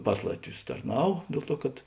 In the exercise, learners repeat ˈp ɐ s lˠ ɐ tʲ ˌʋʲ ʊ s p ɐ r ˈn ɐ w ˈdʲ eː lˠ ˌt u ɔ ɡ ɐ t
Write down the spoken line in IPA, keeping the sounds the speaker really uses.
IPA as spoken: ˈp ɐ s lˠ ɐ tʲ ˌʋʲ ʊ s t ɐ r ˈn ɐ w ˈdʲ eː lˠ ˌt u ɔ k ɐ t